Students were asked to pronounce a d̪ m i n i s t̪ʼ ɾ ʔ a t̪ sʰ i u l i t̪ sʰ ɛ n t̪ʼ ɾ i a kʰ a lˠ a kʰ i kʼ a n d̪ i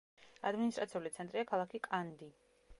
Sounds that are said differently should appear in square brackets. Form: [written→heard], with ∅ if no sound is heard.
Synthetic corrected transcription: a d̪ m i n i s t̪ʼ ɾ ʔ a t̪ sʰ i u l i t̪ sʰ ɛ n t̪ʼ ɾ i a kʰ a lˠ a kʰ i kʼ a n d̪ i